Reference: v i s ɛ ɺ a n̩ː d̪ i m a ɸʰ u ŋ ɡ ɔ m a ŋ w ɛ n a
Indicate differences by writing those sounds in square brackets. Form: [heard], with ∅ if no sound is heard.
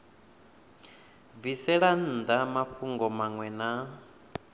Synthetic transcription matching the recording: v i s ɛ ɺ a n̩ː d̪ [a] m a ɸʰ u ŋ ɡ ɔ m a ŋ w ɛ n a